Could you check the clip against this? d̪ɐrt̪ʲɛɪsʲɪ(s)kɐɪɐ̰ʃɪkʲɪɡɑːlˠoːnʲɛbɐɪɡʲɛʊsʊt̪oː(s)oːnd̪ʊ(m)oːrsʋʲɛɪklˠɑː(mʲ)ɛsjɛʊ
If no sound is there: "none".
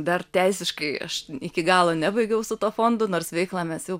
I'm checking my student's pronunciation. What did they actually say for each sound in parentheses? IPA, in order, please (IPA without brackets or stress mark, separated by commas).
ʃ, f, n, mʲ